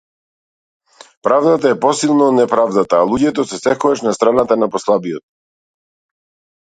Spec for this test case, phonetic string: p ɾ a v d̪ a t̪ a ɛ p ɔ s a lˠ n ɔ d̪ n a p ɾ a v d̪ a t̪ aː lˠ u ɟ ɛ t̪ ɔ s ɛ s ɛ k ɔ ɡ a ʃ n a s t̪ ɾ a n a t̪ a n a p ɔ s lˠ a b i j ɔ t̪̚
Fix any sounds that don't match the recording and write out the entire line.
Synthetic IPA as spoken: p ɾ a v d̪ a t̪ a ɛ p ɔ s i lˠ n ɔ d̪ n ɛ p ɾ a v d̪ a t̪ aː lˠ u ɟ ɛ t̪ ɔ s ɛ s ɛ k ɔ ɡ a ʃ n a s t̪ ɾ a n a t̪ a n a p ɔ s lˠ a b i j ɔ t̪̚

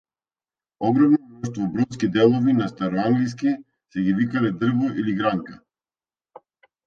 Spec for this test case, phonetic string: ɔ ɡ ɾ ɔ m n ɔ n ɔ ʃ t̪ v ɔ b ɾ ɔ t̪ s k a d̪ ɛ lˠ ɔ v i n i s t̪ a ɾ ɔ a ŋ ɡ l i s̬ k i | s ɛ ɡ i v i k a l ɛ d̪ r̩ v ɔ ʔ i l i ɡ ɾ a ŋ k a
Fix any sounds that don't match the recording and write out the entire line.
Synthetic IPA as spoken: ɔ ɡ ɾ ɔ m n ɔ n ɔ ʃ t̪ v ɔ b ɾ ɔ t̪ s k i d̪ ɛ lˠ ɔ v i n a s t̪ a ɾ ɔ a ŋ ɡ l i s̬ k i | s ɛ ɡ i v i k a l ɛ d̪ r̩ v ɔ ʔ i l i ɡ ɾ a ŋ k a

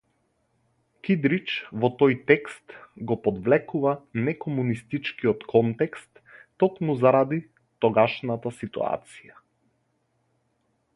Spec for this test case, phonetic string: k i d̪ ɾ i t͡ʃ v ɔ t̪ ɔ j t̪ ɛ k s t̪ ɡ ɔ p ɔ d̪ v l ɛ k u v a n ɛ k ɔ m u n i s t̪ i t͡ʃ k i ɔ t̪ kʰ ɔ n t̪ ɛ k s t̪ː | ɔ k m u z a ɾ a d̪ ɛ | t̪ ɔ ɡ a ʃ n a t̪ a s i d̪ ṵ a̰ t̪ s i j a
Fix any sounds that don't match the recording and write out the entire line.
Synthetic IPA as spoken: k i d̪ ɾ i t͡ʃ v ɔ t̪ ɔ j t̪ ɛ k s t̪ ɡ ɔ p ɔ d̪ v l ɛ k u v a n ɛ k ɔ m u n i s t̪ i t͡ʃ k i ɔ t̪ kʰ ɔ n t̪ ɛ k s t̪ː | ɔ k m u z a ɾ a d̪ i | t̪ ɔ ɡ a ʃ n a t̪ a s i t̪ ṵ a̰ t̪ s i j a

